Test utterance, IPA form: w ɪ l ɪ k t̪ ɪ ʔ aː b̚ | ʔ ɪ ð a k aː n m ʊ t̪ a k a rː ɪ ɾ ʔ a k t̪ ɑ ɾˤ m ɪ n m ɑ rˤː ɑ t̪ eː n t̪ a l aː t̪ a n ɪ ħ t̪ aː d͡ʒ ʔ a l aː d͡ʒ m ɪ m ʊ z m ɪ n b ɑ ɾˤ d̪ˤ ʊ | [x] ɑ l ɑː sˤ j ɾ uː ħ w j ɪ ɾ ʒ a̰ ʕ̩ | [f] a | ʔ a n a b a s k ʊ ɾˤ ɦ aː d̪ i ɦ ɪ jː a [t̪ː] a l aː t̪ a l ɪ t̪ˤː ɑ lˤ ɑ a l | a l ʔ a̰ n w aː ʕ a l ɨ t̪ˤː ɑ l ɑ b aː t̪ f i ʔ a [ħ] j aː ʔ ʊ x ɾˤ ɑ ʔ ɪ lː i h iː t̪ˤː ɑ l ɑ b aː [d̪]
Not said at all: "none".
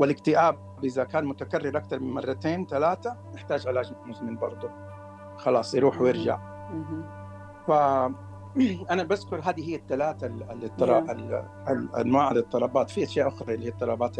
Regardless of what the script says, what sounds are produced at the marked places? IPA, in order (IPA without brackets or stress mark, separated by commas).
x, f, t̪ː, ʃ, t̪